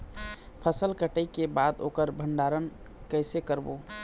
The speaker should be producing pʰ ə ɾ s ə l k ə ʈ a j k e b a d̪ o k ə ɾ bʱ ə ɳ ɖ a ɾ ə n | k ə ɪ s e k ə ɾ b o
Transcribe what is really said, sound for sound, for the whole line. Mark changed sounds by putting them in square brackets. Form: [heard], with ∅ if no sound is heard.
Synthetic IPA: pʰ ə [∅] s ə l k ə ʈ [ə] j k e b a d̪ o k ə ɾ bʱ ə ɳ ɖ a ɾ ə n | k ə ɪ s e k ə ɾ b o